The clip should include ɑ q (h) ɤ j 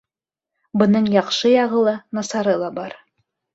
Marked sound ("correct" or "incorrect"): incorrect